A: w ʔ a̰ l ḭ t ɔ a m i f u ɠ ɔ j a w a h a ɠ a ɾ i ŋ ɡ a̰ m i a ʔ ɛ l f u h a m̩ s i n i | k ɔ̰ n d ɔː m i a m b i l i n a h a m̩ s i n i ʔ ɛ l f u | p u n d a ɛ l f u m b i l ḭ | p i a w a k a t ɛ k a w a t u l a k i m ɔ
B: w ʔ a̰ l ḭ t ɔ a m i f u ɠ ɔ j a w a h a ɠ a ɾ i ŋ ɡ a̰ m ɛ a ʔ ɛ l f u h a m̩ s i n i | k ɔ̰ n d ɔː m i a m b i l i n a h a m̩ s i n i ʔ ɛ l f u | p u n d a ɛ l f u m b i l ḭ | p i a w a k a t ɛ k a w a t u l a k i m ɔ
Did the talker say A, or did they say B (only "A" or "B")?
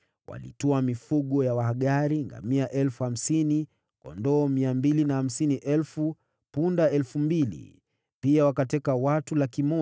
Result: A